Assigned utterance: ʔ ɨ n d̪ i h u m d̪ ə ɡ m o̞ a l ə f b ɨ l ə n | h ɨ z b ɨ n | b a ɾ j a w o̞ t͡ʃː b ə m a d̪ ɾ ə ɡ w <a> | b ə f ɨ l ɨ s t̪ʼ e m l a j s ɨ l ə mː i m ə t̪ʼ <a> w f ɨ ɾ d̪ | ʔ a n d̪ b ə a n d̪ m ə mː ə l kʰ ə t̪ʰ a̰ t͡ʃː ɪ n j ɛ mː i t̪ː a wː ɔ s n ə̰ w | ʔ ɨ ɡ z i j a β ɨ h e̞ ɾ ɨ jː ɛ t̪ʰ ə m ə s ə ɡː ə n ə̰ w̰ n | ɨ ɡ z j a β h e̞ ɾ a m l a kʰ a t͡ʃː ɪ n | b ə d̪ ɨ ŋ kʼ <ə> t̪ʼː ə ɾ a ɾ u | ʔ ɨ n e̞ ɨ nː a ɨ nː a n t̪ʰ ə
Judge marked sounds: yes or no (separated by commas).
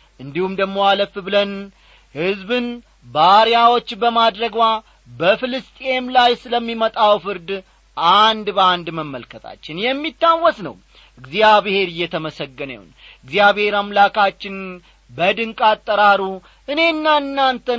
yes, yes, no